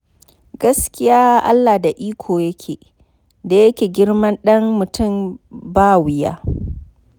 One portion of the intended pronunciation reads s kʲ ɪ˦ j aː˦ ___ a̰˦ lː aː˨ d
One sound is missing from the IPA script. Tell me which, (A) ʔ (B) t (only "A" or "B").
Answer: A